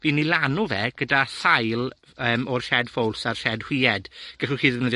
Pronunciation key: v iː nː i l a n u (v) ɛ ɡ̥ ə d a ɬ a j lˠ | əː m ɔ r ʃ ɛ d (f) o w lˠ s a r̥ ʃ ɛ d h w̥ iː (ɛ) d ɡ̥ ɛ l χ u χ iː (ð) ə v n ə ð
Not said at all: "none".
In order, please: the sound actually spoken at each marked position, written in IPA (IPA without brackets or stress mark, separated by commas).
v, f, ɛ, ð